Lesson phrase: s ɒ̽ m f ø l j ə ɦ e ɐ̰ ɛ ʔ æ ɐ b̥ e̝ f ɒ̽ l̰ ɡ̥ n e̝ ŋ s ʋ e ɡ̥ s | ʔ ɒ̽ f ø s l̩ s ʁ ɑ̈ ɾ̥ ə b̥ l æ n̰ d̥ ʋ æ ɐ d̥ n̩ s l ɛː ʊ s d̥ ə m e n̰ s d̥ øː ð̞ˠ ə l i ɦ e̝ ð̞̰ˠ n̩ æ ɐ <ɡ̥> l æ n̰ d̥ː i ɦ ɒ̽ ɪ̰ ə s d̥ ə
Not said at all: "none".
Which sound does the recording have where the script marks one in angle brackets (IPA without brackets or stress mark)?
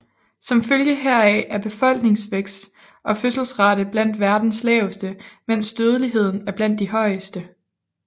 b̥